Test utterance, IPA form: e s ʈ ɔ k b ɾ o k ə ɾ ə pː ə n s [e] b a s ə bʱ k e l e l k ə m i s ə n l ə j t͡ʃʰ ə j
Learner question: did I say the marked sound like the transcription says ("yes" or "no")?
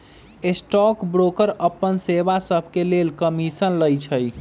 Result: yes